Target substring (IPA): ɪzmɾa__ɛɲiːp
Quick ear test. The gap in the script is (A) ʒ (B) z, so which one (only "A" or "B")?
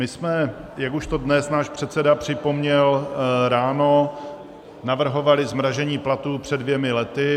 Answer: A